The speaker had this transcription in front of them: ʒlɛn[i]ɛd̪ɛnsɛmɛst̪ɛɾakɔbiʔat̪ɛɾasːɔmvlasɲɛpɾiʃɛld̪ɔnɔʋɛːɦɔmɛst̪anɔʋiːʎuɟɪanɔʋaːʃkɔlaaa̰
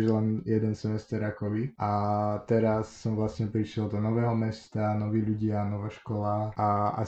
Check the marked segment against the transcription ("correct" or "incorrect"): incorrect